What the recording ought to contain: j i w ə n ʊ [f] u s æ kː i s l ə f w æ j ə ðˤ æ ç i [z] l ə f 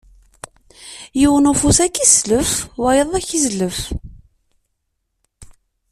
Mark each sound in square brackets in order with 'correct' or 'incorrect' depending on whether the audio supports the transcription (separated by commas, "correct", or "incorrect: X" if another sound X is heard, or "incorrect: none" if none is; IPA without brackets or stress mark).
correct, correct